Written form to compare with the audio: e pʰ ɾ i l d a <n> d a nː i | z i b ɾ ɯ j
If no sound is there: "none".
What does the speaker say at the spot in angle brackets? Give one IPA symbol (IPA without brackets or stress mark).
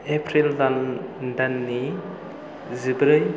n